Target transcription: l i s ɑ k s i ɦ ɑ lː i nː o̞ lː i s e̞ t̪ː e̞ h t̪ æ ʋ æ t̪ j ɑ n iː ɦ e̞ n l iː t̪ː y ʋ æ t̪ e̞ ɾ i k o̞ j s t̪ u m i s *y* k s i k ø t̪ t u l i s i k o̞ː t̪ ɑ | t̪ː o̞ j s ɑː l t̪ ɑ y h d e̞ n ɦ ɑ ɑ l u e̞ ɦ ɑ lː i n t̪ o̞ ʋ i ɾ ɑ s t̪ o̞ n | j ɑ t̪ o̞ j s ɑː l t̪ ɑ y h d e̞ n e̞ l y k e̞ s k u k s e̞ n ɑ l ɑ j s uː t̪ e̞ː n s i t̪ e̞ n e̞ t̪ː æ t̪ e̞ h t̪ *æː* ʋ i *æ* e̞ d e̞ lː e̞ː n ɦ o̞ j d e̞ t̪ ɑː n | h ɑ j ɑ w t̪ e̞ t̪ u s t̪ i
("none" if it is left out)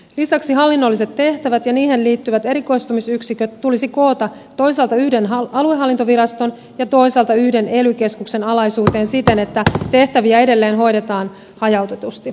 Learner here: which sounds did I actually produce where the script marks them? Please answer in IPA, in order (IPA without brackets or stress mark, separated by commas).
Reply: y, æ, æ